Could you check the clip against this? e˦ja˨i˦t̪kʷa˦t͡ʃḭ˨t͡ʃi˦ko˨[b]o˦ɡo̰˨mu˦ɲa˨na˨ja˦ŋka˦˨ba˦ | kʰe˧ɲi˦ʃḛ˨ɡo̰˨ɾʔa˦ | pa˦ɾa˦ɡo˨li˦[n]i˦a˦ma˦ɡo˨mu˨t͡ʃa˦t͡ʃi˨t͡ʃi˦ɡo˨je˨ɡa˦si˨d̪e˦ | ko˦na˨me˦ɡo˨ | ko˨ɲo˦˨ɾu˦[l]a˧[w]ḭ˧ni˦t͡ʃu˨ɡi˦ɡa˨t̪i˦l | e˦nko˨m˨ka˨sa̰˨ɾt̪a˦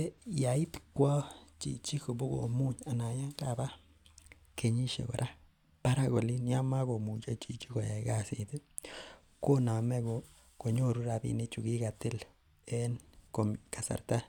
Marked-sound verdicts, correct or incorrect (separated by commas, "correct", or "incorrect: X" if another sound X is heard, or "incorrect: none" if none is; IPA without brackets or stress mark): correct, correct, incorrect: ɾ, incorrect: b